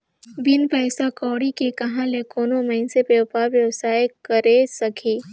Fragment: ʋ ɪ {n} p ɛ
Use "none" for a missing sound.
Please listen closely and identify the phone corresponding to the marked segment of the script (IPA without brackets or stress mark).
n